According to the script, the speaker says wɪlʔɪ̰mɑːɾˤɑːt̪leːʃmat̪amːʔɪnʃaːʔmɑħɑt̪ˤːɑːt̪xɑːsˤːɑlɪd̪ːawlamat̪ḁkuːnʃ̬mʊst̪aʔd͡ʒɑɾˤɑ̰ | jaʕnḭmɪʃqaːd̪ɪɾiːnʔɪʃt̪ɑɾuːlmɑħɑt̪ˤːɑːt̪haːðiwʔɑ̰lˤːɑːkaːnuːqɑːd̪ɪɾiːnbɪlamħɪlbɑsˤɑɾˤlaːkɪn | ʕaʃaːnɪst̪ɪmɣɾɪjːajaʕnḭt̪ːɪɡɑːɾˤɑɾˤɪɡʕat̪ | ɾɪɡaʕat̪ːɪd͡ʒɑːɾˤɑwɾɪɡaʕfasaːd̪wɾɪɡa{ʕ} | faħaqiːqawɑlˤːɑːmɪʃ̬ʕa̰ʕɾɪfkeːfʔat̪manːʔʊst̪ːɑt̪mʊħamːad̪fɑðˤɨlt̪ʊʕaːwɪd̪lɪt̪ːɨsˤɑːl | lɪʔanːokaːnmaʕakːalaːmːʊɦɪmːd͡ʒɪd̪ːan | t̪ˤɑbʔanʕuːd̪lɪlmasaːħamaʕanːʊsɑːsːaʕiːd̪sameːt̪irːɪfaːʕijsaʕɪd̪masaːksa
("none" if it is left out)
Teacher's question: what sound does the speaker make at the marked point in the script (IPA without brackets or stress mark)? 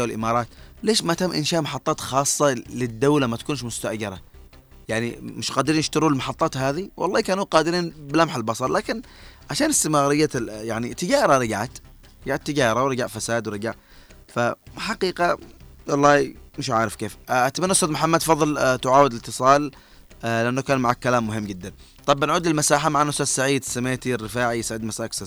ʕ